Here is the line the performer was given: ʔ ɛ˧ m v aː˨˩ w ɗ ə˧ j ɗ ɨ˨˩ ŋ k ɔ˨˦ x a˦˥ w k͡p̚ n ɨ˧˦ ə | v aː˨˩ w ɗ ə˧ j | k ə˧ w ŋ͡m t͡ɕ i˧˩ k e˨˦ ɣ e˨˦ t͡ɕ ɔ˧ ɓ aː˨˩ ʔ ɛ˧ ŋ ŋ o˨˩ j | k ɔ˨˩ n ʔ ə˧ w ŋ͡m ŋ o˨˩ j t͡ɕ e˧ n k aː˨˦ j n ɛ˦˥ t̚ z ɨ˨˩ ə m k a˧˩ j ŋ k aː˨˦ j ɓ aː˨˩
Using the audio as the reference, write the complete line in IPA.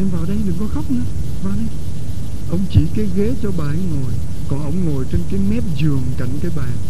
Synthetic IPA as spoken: ʔ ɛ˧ m v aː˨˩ w ɗ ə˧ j ɗ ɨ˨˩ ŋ k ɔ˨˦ x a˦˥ w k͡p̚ n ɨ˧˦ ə | v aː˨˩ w ɗ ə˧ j | ʔ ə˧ w ŋ͡m t͡ɕ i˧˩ k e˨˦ ɣ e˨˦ t͡ɕ ɔ˧ ɓ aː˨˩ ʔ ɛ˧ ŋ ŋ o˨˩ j | k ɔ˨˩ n ʔ ə˧ w ŋ͡m ŋ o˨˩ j t͡ɕ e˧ n k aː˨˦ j m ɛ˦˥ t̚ z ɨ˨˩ ə ŋ k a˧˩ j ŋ k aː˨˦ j ɓ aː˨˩